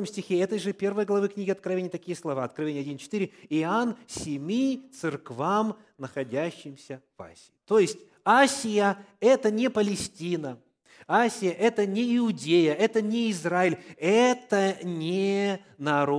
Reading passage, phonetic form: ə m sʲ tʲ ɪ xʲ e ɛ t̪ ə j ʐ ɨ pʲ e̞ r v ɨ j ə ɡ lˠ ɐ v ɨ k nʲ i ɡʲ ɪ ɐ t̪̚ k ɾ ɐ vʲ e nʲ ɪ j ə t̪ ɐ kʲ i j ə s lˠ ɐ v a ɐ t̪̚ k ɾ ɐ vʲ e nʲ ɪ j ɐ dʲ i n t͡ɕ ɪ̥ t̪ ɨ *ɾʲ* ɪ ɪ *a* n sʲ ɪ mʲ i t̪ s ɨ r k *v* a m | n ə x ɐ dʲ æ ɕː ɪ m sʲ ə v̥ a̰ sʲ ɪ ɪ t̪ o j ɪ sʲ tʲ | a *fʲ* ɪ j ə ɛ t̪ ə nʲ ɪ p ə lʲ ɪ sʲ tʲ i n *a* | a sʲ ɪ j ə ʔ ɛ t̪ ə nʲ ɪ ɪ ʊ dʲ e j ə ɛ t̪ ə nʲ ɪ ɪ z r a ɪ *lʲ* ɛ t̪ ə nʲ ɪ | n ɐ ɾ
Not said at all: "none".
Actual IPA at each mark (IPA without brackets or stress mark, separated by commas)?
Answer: ɾʲ, a, v, sʲ, ə, lʲ